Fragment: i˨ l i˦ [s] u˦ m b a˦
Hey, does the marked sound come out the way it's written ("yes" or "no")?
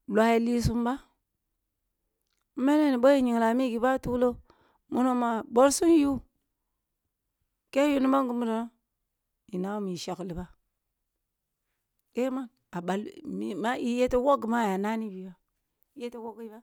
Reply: yes